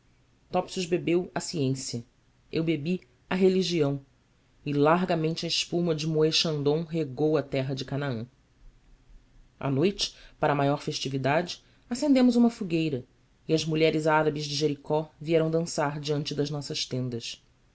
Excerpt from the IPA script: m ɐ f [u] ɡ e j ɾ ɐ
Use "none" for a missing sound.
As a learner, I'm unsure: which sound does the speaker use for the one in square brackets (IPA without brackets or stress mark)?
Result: u